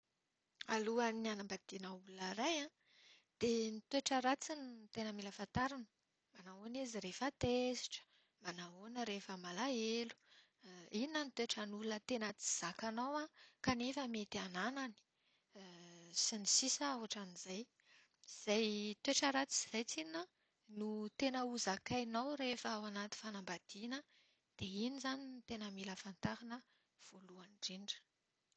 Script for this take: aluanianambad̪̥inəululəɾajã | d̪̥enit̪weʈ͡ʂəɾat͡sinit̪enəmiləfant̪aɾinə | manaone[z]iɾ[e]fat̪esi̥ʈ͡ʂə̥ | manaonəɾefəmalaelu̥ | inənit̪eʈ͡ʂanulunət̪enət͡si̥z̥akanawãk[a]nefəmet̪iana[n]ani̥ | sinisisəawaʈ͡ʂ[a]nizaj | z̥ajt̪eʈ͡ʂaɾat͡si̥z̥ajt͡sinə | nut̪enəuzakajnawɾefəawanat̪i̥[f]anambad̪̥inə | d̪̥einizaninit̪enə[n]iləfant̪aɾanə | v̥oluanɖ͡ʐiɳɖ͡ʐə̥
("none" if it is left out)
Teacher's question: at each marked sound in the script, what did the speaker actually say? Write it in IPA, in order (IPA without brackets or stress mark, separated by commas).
z, e, a, n, a, f, m